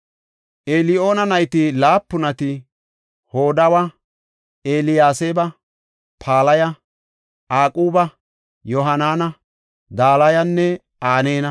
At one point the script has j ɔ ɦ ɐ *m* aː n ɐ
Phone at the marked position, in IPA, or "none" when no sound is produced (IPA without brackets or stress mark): n